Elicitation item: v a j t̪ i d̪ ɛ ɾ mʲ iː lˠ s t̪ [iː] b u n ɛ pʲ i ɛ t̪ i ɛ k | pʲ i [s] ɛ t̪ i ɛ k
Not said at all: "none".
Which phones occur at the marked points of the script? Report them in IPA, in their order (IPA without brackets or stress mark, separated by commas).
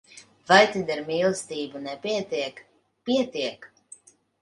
iː, none